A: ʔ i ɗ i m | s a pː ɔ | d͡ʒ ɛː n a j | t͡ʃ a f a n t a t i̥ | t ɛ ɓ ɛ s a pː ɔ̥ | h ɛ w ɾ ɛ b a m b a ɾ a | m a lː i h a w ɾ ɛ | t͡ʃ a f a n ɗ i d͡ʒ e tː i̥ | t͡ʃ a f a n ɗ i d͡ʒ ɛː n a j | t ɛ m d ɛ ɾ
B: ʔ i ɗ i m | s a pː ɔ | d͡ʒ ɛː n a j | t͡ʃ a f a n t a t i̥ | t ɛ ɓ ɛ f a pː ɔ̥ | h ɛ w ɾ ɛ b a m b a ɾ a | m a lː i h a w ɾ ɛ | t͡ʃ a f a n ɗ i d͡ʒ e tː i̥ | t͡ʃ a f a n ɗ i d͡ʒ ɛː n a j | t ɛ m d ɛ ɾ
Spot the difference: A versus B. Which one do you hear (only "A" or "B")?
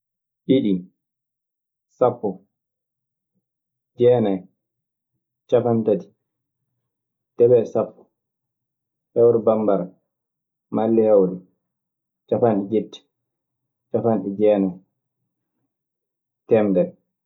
A